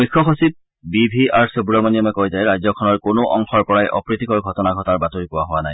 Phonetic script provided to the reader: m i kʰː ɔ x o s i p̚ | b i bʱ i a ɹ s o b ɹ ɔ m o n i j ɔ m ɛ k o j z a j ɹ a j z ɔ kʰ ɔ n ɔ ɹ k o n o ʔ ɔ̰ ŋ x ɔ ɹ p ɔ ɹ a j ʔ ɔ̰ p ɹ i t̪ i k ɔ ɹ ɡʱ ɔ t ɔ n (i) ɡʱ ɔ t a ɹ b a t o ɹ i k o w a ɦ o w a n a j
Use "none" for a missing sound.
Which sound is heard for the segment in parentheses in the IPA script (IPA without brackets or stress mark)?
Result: a